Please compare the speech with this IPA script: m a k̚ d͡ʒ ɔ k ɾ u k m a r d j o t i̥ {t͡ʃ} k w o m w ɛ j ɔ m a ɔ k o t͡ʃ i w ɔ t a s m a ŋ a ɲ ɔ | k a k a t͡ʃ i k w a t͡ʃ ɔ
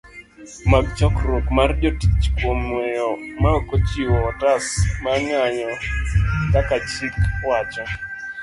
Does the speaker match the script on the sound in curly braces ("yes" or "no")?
yes